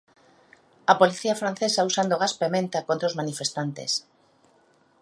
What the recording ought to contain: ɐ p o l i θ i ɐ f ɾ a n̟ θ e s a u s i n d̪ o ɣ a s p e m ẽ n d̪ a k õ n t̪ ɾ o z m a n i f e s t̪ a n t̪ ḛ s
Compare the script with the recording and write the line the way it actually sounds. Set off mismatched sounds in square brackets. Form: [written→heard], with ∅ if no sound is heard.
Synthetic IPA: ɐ p o l i θ i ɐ f ɾ a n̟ θ e s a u s [i→a] n d̪ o ɣ a s p e m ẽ n [d̪→t̪] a k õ n t̪ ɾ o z m a n i f e s t̪ a n t̪ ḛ s